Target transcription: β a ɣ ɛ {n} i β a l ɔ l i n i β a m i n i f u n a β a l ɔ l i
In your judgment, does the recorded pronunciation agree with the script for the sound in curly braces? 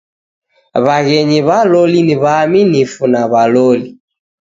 no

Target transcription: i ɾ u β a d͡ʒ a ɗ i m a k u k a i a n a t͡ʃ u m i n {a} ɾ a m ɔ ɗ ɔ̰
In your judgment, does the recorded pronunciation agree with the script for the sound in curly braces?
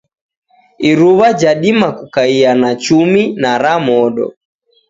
yes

